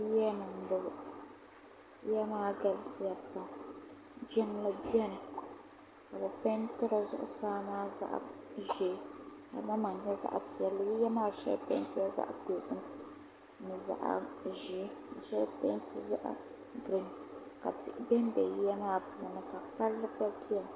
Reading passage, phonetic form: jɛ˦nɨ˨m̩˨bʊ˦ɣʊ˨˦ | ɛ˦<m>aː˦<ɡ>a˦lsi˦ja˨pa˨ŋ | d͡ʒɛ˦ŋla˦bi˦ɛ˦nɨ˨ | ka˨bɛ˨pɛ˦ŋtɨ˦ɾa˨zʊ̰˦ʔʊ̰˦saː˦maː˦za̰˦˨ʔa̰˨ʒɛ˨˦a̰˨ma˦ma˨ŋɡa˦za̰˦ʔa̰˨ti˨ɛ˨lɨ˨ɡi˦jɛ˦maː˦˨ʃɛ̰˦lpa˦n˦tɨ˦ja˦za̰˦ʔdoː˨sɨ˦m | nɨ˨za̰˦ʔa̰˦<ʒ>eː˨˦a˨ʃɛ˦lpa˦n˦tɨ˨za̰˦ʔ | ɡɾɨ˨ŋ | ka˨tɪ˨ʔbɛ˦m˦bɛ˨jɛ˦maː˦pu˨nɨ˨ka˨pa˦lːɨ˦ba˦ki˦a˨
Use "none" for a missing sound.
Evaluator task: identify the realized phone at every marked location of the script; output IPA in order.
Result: m, ɡ, ʒ

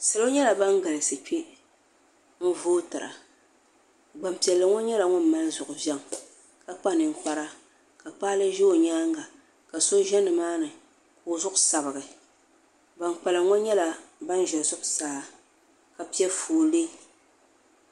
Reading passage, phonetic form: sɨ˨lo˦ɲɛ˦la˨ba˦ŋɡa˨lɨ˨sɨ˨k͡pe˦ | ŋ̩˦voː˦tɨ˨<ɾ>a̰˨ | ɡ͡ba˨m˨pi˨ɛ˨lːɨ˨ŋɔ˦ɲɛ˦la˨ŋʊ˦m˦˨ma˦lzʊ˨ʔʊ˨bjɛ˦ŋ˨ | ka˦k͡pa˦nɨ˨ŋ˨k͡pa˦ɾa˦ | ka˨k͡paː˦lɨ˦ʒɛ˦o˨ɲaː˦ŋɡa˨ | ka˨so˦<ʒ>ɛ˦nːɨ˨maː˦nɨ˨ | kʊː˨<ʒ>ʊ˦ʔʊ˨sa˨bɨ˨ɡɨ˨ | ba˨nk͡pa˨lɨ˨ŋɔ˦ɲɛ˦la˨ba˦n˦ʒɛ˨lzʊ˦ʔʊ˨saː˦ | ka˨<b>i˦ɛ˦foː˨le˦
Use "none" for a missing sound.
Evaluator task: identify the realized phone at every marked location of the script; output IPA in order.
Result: ɾ, ʒ, z, p

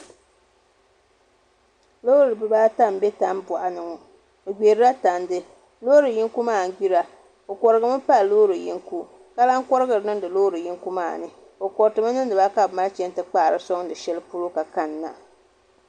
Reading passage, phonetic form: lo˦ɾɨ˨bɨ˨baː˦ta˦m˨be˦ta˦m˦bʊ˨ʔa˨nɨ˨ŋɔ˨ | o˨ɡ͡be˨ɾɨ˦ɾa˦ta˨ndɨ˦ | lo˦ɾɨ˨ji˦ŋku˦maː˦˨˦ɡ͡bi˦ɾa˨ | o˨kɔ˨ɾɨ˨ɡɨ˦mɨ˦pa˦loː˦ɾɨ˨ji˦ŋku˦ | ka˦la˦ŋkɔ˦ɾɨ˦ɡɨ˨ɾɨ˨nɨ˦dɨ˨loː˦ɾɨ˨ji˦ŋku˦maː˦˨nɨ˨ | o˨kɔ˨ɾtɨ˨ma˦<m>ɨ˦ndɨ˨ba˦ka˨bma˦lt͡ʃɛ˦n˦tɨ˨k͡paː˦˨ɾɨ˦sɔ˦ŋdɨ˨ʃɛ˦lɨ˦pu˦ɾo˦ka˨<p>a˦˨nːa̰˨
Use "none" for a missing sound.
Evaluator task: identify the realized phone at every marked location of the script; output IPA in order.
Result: n, k

